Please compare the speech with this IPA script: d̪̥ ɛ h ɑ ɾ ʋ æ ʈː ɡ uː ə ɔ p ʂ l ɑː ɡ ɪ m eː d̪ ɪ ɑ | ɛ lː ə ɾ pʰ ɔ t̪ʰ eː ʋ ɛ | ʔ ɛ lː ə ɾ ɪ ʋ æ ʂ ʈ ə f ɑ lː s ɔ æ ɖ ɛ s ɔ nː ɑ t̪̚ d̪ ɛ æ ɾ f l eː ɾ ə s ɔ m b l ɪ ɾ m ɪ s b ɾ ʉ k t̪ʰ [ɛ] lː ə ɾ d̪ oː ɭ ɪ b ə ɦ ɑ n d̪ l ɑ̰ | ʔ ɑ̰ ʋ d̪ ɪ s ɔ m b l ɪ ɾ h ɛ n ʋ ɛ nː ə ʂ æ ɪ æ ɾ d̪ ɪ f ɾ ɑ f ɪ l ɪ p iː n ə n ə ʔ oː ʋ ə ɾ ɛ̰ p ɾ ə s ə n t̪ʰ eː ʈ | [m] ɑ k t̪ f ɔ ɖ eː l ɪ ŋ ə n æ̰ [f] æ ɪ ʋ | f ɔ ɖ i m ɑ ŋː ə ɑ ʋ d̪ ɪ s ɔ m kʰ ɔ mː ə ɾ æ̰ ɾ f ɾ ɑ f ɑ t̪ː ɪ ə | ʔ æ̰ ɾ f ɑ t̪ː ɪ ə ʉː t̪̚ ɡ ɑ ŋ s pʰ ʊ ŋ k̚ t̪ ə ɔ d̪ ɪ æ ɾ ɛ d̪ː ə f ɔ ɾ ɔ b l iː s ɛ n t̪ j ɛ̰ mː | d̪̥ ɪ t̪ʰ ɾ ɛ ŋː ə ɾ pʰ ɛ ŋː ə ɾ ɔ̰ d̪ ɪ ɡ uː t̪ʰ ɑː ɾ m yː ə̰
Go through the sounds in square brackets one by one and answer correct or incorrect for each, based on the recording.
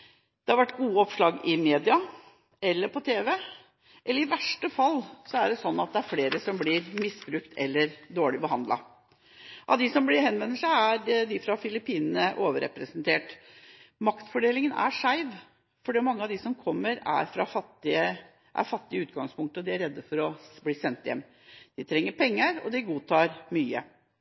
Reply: correct, correct, incorrect: ʂ

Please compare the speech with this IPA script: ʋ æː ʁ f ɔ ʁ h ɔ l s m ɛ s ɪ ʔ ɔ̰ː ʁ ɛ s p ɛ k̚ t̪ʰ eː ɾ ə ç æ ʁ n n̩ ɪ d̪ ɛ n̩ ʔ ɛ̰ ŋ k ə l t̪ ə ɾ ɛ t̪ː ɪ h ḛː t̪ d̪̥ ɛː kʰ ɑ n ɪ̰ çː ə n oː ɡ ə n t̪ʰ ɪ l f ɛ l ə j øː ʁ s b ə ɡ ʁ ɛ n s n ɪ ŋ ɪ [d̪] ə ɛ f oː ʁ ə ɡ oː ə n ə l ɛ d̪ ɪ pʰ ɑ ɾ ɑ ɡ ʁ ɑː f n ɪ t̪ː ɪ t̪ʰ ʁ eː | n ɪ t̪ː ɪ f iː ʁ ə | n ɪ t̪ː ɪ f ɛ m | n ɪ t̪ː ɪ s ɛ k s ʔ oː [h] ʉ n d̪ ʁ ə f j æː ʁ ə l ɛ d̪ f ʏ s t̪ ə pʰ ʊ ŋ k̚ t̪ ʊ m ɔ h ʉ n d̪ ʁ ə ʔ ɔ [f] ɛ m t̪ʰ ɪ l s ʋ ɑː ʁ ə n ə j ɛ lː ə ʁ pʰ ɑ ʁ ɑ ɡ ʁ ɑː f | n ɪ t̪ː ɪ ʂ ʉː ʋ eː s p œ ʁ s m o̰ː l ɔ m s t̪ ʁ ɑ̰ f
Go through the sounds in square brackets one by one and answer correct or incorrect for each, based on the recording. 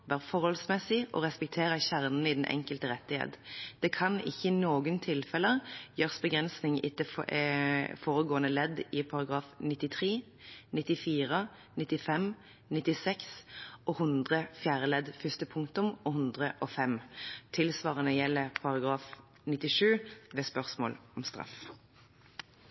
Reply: incorrect: t̪, correct, correct

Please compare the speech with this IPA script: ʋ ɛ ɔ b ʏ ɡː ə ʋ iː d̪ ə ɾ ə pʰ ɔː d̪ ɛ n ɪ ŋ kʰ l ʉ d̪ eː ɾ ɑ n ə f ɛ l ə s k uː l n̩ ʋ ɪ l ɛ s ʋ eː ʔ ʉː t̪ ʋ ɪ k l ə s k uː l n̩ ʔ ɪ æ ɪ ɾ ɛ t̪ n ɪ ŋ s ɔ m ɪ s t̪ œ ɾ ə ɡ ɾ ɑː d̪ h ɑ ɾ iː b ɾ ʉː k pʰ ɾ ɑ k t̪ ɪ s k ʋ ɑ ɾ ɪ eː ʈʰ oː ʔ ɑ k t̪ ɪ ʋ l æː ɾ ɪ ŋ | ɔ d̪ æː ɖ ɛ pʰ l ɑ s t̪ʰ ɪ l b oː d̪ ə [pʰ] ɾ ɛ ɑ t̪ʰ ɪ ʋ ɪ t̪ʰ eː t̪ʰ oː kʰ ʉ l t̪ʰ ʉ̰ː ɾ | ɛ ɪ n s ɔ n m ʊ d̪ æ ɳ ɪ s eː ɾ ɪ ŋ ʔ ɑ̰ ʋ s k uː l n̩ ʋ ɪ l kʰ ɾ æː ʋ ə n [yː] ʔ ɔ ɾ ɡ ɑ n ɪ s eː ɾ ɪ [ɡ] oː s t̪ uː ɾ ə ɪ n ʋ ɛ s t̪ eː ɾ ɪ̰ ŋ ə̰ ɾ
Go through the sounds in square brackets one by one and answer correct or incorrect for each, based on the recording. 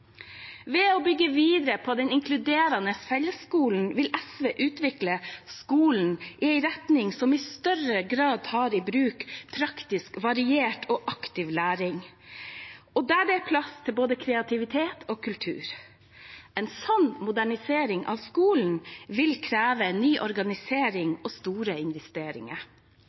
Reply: incorrect: kʰ, correct, incorrect: ŋ

